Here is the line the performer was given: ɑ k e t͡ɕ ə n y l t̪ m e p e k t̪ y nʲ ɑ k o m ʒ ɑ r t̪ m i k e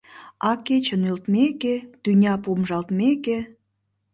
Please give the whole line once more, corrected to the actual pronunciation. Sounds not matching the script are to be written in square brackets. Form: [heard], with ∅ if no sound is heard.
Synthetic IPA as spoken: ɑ k e t͡ɕ ə n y l t̪ m e [k] e [∅] t̪ y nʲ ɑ [p] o m ʒ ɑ [l] t̪ m [e] k e